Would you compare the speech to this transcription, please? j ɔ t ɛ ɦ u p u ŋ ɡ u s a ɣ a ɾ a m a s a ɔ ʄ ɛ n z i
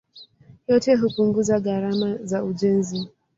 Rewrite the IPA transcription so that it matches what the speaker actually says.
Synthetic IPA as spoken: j ɔ t ɛ ɦ u p u ŋ ɡ u z a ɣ a ɾ a m a z a u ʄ ɛ n z i